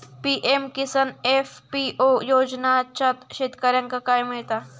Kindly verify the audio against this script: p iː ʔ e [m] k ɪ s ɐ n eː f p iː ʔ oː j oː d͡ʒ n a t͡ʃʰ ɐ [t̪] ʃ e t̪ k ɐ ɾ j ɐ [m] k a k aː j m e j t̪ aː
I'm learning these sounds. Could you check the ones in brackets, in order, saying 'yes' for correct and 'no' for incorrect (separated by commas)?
yes, yes, no